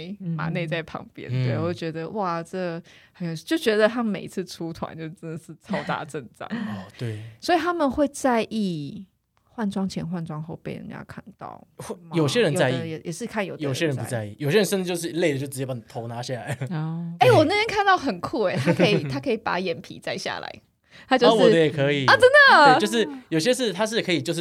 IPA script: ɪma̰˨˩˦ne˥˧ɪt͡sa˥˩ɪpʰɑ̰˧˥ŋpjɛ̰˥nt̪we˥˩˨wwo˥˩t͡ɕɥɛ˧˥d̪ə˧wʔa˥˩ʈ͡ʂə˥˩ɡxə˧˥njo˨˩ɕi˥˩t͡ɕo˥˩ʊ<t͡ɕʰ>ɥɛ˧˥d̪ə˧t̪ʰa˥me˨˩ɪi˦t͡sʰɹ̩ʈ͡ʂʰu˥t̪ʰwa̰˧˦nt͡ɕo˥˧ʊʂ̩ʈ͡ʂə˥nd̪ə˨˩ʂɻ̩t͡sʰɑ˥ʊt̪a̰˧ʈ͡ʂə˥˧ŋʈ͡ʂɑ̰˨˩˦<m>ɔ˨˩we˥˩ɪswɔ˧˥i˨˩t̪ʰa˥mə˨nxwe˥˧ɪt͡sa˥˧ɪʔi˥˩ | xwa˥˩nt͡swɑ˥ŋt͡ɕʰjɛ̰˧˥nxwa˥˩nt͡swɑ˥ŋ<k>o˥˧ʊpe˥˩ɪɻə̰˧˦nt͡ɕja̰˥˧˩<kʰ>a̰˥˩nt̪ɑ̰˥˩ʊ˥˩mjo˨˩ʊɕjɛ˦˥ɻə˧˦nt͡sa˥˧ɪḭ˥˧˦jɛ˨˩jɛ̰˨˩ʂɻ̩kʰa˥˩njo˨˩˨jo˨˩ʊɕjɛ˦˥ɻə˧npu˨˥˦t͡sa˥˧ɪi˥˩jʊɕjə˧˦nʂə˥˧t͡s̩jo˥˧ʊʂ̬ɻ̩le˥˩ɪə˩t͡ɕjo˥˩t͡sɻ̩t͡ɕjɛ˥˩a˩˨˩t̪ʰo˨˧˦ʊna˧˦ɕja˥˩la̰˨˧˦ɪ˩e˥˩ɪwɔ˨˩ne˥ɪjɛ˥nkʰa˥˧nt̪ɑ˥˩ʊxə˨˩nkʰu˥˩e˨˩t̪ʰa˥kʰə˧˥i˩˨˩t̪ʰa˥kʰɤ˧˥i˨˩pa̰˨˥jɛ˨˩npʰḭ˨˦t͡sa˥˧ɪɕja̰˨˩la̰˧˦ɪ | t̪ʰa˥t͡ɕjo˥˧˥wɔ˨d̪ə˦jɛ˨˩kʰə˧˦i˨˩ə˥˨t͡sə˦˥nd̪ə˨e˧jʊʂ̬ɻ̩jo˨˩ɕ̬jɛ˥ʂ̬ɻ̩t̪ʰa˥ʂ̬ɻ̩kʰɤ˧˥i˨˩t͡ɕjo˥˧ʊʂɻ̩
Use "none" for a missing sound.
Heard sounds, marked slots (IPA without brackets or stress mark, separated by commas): t͡ɕ, ŋ, x, kʰ